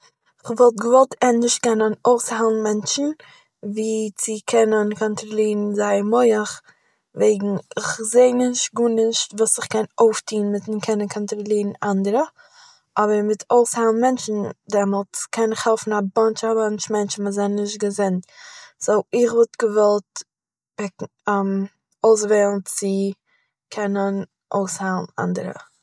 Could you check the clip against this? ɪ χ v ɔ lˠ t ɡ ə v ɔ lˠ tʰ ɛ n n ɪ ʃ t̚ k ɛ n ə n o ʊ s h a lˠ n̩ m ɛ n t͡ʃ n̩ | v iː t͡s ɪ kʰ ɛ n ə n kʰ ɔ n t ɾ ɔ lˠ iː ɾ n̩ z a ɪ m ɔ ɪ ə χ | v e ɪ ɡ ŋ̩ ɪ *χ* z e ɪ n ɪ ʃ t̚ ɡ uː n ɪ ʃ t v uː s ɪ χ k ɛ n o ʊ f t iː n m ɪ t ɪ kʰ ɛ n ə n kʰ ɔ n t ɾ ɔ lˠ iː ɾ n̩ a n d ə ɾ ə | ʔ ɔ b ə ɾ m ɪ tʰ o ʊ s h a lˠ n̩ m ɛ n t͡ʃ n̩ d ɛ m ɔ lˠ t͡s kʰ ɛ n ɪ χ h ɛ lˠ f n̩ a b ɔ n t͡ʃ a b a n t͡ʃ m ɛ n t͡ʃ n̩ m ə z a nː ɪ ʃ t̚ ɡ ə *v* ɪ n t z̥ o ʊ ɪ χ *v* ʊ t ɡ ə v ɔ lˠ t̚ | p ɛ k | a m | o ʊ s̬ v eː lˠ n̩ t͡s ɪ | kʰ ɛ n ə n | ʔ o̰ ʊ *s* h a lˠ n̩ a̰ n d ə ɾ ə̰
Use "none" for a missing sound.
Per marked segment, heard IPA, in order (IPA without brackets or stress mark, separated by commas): χ, z, v, s